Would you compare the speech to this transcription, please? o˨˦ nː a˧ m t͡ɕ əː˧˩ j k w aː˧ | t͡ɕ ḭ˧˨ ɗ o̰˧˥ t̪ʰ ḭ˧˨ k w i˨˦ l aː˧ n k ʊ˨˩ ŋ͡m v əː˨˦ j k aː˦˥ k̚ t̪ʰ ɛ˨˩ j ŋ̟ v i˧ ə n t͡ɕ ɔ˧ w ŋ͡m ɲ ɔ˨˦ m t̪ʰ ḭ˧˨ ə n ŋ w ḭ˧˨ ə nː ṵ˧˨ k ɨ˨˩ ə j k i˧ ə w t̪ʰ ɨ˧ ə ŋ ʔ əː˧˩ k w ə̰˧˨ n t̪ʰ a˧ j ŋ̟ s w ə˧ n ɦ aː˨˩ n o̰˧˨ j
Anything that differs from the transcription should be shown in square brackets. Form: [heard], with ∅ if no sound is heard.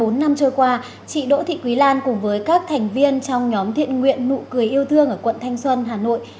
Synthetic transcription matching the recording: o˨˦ nː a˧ m t͡ɕ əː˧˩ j k w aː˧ | t͡ɕ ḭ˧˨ ɗ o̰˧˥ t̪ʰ ḭ˧˨ k w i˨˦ l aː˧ n k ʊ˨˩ ŋ͡m v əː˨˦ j k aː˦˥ k̚ t̪ʰ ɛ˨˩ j ŋ̟ v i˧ ə n t͡ɕ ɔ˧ w ŋ͡m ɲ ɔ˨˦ m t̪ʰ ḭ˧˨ ə n ŋ w ḭ˧˨ ə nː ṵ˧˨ k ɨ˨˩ ə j [ʔ] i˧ ə w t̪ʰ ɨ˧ ə ŋ ʔ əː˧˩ k w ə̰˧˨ n t̪ʰ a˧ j ŋ̟ s w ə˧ n ɦ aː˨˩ n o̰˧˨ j